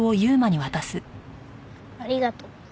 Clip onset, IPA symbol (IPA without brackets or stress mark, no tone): o̞